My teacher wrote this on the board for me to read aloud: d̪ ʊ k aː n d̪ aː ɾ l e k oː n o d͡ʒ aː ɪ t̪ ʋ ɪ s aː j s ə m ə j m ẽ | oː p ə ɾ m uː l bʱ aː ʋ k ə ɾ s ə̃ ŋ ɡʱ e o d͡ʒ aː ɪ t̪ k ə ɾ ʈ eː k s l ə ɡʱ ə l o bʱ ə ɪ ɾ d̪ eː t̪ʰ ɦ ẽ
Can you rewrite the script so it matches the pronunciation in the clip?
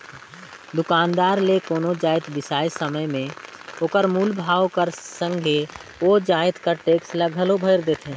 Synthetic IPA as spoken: d̪ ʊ k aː n d̪ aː ɾ l e k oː n o d͡ʒ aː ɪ t̪ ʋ ɪ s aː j s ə m ə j m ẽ | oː k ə ɾ m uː l bʱ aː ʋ k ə ɾ s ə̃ ŋ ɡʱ e o d͡ʒ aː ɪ t̪ k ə ɾ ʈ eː k s l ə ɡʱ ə l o bʱ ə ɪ ɾ d̪ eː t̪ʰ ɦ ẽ